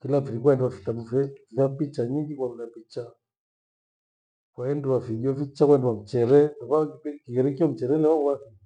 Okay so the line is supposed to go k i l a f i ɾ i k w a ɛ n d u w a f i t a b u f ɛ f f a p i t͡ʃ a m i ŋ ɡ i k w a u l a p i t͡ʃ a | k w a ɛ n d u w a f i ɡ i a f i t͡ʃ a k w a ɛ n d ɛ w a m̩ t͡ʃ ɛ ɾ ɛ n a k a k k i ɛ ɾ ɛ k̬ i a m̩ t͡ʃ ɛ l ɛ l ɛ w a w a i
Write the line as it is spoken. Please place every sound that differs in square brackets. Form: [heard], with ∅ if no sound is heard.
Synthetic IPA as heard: k i l a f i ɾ i k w a ɛ n d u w a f i t a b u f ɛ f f a p i t͡ʃ a [ɲ] i ŋ ɡ i k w a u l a p i t͡ʃ a | k w a ɛ n d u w a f i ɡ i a f i t͡ʃ a k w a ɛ n d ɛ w a m̩ t͡ʃ ɛ ɾ ɛ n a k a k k i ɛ ɾ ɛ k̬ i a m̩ t͡ʃ ɛ [ɾ] ɛ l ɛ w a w a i